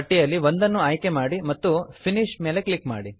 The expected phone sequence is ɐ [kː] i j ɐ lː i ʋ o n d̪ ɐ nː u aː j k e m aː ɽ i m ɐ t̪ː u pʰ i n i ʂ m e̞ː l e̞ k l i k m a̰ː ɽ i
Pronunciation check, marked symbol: incorrect: ʈː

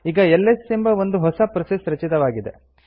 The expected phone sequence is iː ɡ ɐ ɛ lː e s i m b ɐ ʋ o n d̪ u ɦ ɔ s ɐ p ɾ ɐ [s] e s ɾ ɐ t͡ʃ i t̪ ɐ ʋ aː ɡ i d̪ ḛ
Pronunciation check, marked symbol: correct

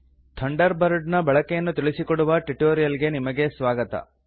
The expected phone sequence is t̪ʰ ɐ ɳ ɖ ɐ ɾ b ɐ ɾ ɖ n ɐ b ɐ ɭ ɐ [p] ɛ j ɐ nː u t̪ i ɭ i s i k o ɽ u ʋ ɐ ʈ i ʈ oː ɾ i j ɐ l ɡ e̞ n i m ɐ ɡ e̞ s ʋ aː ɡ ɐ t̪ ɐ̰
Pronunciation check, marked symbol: incorrect: k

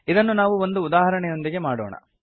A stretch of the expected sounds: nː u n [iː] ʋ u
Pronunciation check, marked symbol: incorrect: aː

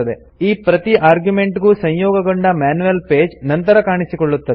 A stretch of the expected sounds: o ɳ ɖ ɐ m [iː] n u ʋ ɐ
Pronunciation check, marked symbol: incorrect: aː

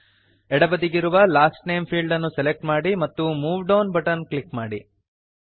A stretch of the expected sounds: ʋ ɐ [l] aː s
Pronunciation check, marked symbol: correct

